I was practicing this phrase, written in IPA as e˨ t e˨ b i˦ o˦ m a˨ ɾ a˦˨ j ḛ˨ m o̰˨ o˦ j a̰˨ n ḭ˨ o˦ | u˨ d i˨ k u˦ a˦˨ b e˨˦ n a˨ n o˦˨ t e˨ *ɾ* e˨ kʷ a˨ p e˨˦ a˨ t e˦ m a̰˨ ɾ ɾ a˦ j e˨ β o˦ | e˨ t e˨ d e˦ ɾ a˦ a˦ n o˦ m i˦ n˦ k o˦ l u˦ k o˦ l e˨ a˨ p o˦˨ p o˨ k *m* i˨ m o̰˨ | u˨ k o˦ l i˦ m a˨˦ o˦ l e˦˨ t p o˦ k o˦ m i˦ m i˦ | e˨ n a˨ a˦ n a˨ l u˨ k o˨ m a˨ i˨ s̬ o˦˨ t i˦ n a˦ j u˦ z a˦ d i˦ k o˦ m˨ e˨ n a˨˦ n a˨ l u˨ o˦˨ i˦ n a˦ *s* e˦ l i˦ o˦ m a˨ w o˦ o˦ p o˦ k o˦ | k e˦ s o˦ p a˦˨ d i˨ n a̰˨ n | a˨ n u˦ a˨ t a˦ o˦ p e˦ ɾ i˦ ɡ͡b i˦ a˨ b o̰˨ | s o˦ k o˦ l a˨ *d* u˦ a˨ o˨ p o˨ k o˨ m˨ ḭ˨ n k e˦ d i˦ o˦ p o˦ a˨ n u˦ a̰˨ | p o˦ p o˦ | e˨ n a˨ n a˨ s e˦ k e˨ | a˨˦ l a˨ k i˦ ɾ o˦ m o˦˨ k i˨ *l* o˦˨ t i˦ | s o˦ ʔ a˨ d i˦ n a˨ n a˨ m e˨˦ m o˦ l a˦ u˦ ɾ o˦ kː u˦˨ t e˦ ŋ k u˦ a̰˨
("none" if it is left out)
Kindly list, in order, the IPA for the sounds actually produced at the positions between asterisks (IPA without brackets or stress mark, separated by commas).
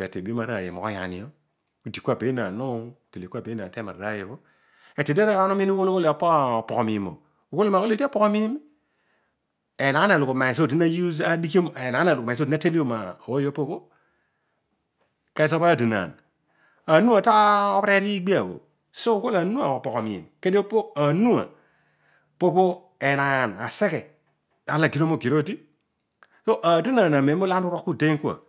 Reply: l, m, t, n, ɾ